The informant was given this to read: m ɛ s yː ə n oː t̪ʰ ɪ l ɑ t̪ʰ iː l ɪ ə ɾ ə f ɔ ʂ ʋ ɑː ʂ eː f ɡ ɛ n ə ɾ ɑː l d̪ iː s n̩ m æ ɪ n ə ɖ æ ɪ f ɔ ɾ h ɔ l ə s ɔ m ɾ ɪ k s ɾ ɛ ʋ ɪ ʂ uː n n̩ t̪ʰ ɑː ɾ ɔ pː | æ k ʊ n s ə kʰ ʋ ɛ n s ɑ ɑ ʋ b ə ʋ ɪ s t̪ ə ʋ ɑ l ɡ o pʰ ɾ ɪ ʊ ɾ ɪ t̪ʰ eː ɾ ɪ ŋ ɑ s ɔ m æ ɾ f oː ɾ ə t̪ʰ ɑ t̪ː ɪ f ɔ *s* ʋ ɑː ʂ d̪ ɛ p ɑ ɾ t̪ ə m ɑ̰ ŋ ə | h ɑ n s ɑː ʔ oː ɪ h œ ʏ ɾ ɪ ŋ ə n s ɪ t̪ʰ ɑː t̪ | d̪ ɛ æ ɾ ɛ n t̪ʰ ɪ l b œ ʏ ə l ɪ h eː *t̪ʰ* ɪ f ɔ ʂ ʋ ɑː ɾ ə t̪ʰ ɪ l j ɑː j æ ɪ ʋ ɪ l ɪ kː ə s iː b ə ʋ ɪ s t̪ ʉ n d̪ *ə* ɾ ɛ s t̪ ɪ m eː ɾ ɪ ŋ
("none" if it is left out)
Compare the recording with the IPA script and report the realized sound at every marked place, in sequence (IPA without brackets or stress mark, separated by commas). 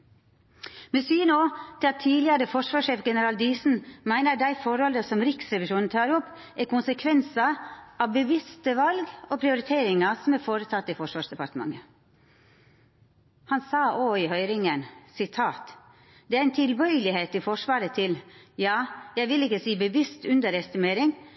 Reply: ʂ, t̪, ə